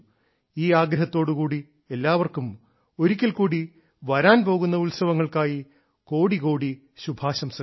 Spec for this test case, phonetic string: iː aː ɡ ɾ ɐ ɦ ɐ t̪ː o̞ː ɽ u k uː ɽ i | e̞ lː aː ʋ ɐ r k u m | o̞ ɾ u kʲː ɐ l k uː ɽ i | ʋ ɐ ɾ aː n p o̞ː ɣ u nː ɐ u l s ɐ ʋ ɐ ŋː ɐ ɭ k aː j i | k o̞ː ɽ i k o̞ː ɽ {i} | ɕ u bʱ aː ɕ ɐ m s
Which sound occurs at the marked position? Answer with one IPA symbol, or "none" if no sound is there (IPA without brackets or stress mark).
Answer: i